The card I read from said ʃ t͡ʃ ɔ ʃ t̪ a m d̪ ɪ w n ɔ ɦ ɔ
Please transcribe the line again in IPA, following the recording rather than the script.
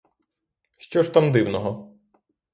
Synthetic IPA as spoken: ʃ t͡ʃ ɔ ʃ t̪ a m d̪ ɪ w n ɔ ɦ ɔ